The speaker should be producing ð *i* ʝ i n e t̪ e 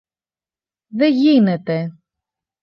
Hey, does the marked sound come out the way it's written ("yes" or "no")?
no